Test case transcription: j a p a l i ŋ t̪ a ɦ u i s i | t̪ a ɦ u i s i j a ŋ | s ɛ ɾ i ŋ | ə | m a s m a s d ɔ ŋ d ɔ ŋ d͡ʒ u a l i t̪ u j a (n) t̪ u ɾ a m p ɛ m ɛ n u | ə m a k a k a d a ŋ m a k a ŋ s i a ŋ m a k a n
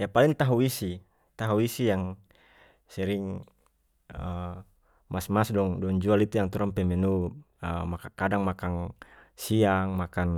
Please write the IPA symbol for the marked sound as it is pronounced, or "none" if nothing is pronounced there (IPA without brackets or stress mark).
ŋ